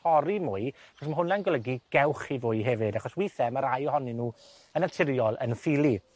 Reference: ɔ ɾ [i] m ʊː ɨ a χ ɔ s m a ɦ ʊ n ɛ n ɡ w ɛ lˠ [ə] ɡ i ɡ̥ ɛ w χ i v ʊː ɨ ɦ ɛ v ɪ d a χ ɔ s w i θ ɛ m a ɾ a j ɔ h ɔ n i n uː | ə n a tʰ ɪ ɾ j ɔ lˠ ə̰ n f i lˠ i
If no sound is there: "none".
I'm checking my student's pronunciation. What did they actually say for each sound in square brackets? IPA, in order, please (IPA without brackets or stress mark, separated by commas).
i, ə